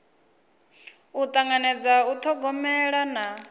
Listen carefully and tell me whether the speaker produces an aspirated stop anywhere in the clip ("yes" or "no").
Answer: yes